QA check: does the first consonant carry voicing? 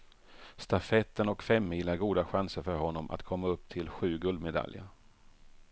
no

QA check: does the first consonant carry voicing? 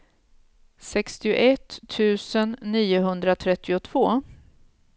no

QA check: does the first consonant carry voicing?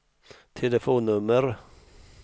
no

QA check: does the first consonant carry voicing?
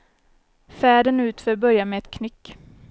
no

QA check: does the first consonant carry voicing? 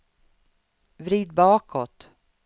yes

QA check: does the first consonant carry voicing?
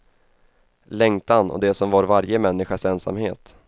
yes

